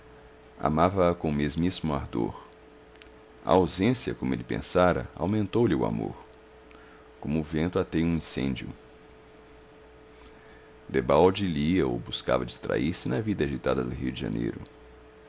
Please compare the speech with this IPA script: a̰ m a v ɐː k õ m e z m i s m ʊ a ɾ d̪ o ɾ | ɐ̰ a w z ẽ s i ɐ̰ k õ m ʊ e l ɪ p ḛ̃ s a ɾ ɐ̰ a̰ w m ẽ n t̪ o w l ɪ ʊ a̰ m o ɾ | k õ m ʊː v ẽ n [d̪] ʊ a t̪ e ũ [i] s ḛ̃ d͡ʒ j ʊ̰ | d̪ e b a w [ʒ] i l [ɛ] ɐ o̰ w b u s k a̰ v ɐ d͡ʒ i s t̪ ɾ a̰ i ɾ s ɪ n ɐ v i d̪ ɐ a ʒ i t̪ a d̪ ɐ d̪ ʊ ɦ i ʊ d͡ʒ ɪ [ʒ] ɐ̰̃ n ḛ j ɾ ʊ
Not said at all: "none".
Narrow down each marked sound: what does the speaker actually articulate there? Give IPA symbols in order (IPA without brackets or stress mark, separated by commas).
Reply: t̪, ĩ, d͡ʒ, i, ʒ